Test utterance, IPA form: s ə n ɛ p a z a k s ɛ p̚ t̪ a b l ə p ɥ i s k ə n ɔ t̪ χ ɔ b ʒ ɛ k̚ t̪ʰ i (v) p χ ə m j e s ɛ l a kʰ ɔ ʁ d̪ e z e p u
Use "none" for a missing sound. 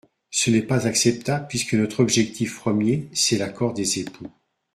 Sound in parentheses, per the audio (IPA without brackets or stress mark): f